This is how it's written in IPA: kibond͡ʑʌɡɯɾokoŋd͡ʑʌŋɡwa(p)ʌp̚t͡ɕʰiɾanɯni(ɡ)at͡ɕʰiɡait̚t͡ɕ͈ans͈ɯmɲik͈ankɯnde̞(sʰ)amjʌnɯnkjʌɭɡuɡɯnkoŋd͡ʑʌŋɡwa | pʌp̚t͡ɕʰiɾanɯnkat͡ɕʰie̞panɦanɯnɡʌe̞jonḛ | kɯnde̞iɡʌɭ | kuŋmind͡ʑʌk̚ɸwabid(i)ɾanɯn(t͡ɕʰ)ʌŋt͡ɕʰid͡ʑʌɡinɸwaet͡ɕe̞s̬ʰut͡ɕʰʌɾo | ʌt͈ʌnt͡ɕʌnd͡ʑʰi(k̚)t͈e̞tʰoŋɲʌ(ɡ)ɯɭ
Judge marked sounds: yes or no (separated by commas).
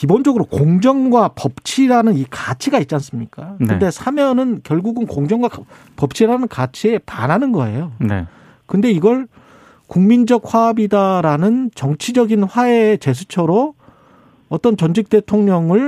yes, no, yes, no, no, yes, no